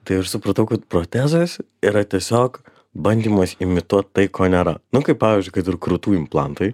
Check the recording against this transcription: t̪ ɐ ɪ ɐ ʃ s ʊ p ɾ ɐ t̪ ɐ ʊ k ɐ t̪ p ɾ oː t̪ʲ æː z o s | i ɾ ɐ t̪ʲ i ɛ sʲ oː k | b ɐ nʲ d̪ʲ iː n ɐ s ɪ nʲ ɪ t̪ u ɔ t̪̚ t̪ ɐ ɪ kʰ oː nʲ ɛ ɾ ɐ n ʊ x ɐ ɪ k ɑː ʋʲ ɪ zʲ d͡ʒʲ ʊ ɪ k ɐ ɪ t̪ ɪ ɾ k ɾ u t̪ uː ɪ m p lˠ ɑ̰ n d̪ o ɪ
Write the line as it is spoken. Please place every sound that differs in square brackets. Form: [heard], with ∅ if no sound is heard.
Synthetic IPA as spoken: t̪ ɐ ɪ ɐ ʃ s ʊ p ɾ ɐ t̪ ɐ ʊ k ɐ t̪ p ɾ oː t̪ʲ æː z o s | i ɾ ɐ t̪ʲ i ɛ sʲ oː k | b ɐ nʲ d̪ʲ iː [m] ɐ s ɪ [mʲ] ɪ t̪ u ɔ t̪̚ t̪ ɐ ɪ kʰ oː nʲ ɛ ɾ ɐ n ʊ [k] ɐ ɪ [p] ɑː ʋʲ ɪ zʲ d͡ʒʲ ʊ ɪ k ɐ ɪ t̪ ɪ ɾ k ɾ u t̪ uː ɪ m p lˠ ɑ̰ n [t̪] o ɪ